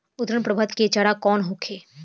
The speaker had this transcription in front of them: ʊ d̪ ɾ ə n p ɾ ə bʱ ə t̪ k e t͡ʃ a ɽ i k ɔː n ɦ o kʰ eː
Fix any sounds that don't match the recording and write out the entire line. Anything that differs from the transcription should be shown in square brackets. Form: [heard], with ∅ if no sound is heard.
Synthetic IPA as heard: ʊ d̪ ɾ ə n p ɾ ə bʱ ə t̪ k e t͡ʃ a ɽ [a] k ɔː n ɦ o kʰ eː